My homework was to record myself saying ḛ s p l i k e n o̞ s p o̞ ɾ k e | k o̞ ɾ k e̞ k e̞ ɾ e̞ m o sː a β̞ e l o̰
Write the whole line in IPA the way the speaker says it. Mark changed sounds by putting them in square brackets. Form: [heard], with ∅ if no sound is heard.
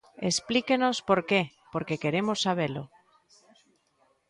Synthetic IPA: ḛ s p l i k e n o̞ s p o̞ ɾ k e | [p] o̞ ɾ k e̞ k e̞ ɾ e̞ m o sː a β̞ e l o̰